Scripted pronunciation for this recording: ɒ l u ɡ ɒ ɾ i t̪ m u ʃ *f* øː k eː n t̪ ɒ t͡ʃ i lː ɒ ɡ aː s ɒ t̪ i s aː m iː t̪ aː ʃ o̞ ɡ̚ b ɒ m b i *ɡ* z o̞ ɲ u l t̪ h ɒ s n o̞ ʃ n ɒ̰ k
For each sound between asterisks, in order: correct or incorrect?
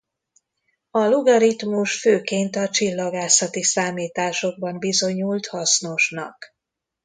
correct, incorrect: none

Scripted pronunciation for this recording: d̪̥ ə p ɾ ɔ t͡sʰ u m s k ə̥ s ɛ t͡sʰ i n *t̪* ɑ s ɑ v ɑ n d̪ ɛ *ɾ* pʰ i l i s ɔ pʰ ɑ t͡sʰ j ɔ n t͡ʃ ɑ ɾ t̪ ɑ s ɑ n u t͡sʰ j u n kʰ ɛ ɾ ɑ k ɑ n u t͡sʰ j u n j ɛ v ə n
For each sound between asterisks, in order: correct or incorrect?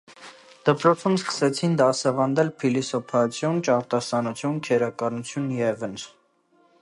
incorrect: d̪, incorrect: l

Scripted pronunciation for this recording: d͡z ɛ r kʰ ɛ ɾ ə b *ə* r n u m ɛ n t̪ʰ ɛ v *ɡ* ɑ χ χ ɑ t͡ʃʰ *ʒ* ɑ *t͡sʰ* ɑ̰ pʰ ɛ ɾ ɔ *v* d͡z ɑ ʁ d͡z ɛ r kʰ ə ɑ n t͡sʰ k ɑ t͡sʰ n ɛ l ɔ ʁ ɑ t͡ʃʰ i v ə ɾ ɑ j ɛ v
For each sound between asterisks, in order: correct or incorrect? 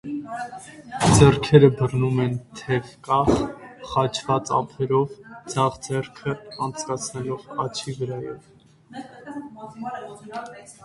correct, incorrect: k, incorrect: v, incorrect: t͡s, correct

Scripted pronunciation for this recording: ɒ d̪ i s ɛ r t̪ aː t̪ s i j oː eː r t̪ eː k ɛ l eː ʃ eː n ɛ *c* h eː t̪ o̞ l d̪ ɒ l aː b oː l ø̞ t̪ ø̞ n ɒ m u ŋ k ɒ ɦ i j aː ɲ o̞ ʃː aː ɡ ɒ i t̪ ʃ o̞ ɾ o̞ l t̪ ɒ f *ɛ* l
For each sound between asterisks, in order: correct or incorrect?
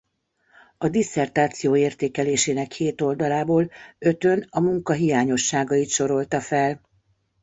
incorrect: k, correct

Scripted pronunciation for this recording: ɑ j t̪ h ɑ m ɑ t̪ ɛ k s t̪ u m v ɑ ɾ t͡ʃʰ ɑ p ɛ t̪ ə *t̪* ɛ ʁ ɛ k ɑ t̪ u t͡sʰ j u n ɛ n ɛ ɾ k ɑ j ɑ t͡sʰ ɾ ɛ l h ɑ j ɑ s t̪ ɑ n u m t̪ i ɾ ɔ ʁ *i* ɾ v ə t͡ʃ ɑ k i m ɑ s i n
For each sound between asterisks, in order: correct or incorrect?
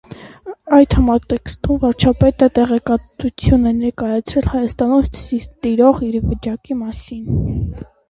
correct, correct

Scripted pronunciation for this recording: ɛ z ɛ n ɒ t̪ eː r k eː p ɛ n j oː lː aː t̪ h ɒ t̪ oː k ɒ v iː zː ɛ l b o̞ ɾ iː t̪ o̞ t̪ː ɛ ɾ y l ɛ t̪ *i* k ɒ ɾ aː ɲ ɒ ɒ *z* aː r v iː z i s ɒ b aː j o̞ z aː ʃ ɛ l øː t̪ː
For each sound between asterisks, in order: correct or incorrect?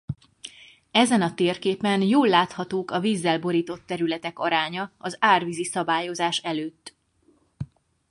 incorrect: ɛ, correct

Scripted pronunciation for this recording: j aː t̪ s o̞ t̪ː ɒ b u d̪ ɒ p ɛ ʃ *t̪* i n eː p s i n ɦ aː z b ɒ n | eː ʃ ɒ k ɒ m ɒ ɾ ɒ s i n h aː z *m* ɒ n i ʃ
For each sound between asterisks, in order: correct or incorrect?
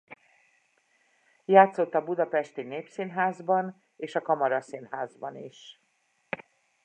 correct, incorrect: b

